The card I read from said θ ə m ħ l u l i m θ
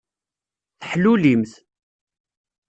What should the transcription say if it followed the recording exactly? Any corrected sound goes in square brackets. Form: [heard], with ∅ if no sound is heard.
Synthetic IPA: θ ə [∅] ħ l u l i m θ